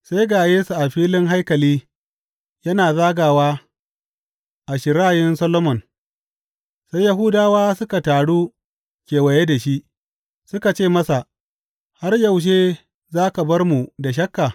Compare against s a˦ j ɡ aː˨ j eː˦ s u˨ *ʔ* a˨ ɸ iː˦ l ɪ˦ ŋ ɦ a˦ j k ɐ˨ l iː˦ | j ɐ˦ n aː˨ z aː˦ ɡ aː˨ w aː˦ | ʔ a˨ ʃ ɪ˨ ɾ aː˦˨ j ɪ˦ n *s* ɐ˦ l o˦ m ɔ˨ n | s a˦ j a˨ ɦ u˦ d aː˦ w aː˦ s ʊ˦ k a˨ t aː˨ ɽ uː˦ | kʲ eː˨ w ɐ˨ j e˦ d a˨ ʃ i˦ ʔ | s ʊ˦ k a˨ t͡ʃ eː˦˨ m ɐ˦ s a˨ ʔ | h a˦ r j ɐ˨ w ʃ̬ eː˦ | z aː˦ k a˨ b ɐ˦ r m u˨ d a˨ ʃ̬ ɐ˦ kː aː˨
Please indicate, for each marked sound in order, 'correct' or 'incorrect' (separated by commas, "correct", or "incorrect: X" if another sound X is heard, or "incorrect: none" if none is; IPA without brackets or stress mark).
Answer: correct, correct